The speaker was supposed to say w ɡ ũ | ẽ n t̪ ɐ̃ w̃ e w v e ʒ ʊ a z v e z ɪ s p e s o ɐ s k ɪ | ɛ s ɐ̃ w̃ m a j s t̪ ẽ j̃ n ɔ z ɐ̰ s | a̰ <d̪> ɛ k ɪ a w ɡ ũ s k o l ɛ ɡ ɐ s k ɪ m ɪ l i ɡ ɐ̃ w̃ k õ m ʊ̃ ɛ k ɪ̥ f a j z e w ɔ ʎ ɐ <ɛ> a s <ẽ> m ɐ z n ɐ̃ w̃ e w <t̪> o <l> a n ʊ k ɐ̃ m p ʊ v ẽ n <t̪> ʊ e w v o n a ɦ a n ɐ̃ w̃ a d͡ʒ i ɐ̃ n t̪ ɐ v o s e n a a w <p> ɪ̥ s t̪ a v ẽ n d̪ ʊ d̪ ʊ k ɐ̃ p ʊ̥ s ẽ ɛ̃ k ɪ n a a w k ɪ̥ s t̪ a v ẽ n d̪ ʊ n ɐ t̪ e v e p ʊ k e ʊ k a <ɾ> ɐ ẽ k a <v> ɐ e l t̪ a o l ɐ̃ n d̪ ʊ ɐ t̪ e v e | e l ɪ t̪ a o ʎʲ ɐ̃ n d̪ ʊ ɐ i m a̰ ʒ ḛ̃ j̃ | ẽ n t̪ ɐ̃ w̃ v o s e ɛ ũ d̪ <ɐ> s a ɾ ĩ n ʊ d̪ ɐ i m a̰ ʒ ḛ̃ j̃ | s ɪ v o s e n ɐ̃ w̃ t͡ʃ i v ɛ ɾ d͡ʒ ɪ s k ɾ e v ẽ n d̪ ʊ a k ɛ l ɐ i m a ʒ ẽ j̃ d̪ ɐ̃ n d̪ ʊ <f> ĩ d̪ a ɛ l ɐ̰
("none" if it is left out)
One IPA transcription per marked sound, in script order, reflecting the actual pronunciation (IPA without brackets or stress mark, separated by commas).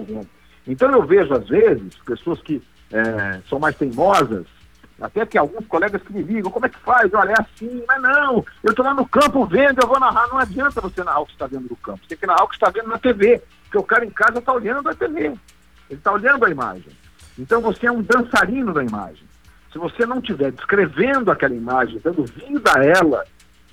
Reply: t̪, ɛ, ĩ, t̪, l, d̪, k, ɾ, z, ɐ̃, v